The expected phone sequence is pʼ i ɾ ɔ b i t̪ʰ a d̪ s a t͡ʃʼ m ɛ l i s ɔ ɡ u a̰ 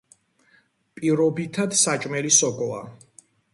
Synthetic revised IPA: pʼ i ɾ ɔ b i t̪ʰ a d̪ s a t͡ʃʼ m ɛ l i s ɔ ɡ ɔ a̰

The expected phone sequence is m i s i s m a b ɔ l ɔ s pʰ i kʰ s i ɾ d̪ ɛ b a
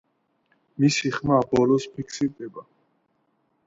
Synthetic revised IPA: m i s i χ m a b ɔ l ɔ s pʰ i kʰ s i ɾ d̪ ɛ b a

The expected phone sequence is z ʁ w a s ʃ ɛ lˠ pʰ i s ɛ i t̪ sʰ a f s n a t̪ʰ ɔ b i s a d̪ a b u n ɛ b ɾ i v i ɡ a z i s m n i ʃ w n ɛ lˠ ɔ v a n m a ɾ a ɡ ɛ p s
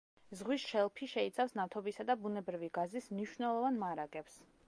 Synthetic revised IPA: z ʁ w i s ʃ ɛ lˠ pʰ i ʃ ɛ i t̪ sʰ a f s n a t̪ʰ ɔ b i s a d̪ a b u n ɛ b ɾ i v i ɡ a z i s m n i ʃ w n ɛ lˠ ɔ v a n m a ɾ a ɡ ɛ p s

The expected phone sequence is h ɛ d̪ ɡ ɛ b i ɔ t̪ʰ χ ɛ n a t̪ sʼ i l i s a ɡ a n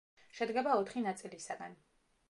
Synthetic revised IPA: ʃ ɛ d̪ ɡ ɛ b a ɔ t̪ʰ χ i n a t̪ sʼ i l i s a ɡ a n

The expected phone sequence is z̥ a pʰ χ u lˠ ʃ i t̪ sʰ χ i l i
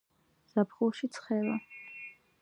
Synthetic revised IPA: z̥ a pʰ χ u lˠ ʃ i t̪ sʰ χ ɛ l a

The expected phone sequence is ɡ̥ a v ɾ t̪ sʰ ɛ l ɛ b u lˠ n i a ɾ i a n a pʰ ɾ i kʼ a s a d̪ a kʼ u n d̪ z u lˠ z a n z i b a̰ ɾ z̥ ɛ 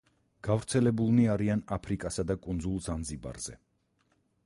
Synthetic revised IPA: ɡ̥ a v ɾ t̪ sʰ ɛ l ɛ b u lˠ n i a ɾ i a n a pʰ ɾ i kʼ a s a d̪ a kʼ u n d̪ z u lˠ z a n z i b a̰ ɾ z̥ ɛ

